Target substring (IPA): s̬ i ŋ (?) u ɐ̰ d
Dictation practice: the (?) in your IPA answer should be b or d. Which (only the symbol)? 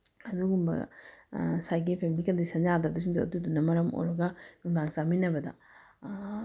d